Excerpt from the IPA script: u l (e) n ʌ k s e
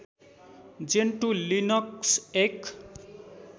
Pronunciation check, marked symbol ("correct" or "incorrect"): incorrect